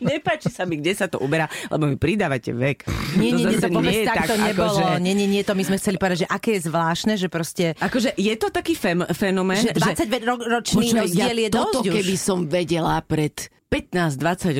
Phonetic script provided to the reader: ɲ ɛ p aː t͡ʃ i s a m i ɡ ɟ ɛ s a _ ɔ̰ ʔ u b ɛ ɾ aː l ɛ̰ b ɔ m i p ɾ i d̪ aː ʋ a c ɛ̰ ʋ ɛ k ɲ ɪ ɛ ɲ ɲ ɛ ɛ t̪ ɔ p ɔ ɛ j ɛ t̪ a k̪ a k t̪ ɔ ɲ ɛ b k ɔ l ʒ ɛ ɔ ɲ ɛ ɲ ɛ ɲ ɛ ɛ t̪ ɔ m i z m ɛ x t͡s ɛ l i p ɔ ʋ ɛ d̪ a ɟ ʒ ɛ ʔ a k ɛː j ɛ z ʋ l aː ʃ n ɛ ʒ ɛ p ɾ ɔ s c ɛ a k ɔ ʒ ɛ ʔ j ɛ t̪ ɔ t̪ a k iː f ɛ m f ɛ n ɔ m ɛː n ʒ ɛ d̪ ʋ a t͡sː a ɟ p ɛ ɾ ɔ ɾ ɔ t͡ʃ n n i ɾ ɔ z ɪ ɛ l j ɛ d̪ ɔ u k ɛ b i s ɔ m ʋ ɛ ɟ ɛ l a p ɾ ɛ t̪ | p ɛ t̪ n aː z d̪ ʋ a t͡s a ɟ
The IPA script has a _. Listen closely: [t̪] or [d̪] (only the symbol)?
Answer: t̪